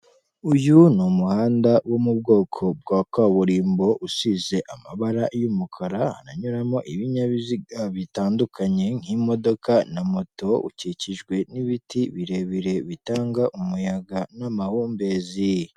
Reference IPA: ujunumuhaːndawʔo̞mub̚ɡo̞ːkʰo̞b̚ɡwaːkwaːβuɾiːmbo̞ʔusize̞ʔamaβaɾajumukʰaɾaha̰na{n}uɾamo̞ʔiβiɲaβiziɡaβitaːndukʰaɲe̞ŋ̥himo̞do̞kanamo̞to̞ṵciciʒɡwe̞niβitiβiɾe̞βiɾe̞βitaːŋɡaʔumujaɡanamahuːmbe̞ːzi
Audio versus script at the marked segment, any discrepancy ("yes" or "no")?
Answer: yes